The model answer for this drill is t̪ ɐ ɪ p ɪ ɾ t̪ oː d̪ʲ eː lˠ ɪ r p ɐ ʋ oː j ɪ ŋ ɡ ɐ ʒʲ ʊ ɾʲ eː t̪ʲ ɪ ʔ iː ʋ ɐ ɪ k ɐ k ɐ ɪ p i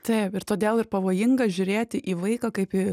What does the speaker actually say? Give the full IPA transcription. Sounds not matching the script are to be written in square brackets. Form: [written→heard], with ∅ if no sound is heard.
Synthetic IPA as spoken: t̪ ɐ ɪ p ɪ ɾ t̪ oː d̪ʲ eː lˠ ɪ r p ɐ ʋ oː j ɪ ŋ ɡ ɐ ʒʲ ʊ ɾʲ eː t̪ʲ ɪ ʔ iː ʋ ɐ ɪ k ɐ k ɐ ɪ p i